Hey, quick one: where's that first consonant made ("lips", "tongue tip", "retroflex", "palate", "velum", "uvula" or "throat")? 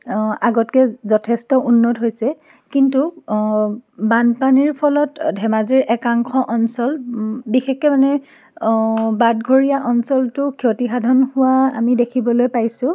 velum